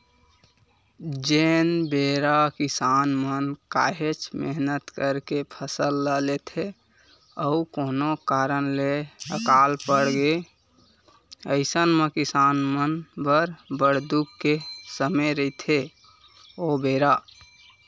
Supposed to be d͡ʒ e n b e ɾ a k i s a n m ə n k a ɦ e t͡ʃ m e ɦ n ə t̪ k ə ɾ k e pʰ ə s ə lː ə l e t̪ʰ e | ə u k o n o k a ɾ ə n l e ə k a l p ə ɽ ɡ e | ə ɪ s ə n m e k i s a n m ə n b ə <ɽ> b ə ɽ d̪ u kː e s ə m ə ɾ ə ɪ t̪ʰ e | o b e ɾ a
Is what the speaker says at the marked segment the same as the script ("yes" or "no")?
no